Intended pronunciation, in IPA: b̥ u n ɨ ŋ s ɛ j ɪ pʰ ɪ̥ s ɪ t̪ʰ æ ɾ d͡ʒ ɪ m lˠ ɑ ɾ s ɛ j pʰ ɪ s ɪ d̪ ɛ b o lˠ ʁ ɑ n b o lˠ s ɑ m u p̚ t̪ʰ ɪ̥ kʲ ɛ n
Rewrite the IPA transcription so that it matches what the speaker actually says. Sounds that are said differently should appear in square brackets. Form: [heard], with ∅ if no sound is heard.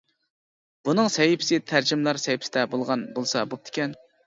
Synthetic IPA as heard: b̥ u n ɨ ŋ s ɛ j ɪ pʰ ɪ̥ s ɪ t̪ʰ æ ɾ d͡ʒ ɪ m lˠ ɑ ɾ s ɛ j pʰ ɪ s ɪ d̪ ɛ b o lˠ ʁ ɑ n b o lˠ s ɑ [b] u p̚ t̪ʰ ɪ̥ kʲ ɛ n